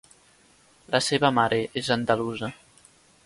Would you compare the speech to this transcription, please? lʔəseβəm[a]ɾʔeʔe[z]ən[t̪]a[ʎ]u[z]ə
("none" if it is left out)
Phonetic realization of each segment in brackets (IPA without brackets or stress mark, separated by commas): a, z, d̪, l, z